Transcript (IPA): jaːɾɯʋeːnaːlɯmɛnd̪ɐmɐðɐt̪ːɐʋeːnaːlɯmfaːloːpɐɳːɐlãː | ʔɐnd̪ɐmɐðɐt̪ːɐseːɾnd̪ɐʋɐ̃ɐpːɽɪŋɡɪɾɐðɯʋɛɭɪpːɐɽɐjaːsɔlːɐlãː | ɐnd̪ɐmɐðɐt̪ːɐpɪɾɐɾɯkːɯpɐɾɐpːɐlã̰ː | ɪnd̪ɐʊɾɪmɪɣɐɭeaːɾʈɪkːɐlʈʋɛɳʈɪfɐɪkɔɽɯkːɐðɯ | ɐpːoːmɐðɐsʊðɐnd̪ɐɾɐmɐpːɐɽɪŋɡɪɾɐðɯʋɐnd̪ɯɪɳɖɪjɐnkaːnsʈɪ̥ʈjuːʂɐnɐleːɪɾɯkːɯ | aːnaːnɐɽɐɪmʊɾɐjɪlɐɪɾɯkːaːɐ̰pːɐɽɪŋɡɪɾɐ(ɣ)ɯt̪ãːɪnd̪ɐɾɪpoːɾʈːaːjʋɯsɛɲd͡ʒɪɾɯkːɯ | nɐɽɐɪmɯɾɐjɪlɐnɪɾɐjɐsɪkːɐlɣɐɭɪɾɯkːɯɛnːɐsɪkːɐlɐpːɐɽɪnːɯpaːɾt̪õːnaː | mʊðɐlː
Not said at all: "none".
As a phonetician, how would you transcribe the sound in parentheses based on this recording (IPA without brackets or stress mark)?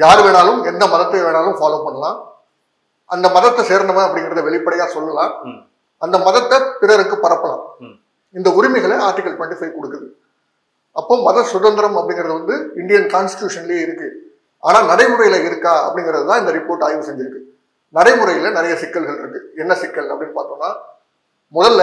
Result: ð